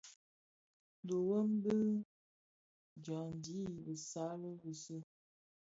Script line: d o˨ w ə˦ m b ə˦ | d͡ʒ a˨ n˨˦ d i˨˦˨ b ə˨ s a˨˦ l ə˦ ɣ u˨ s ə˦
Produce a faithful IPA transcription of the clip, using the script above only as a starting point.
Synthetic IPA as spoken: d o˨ w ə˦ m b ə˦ | d͡ʒ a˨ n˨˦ d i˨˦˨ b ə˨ s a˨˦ l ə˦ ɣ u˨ s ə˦

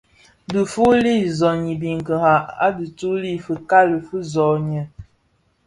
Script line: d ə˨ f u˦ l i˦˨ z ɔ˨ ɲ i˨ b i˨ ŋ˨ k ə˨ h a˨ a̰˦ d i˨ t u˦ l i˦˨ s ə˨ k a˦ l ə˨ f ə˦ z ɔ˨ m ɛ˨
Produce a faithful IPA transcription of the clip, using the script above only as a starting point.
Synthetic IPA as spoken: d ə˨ f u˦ l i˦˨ z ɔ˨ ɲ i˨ b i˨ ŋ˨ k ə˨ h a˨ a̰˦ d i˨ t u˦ l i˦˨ f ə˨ k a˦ l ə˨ f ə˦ z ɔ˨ ɲ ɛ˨

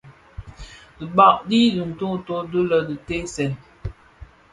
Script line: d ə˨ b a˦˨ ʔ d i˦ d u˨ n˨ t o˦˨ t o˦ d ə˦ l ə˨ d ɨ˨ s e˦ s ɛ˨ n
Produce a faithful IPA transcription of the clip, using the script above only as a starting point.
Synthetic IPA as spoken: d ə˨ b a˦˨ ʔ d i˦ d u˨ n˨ t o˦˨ t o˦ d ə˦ l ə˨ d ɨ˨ t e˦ s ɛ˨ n

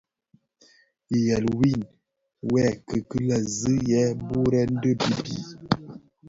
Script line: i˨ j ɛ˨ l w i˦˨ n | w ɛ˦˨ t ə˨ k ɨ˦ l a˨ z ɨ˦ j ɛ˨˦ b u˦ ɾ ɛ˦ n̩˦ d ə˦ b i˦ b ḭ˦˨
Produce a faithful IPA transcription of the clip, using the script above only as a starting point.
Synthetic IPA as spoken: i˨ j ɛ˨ l w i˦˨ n | w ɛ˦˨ k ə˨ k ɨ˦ l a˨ z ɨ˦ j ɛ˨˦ b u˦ ɾ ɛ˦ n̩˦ d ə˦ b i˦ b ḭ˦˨

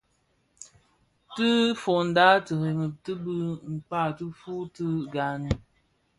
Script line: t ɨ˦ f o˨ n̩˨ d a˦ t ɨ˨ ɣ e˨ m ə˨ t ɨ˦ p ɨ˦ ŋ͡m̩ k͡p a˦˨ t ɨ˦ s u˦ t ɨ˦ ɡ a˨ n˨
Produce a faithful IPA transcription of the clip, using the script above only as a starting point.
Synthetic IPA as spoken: t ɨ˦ f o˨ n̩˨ d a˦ t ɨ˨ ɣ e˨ ŋ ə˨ t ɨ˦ b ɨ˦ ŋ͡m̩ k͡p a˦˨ t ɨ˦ f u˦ t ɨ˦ ɡ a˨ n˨

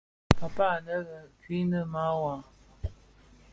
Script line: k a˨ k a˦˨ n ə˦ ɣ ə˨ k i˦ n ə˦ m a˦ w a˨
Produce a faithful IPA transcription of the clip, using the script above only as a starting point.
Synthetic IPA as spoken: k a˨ p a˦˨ n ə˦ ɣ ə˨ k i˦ n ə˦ m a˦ w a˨

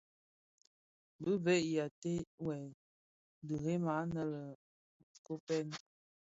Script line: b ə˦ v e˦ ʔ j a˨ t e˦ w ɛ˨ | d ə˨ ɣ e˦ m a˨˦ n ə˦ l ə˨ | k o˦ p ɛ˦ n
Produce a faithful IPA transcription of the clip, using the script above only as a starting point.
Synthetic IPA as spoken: b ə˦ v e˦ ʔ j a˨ t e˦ w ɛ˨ | d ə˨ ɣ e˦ m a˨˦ n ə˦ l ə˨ | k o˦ p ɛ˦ n

